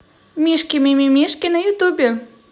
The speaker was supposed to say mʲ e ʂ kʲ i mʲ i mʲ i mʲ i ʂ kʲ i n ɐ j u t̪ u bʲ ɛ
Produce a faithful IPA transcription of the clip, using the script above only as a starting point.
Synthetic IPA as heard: mʲ i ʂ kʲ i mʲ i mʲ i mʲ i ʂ kʲ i n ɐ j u t̪ u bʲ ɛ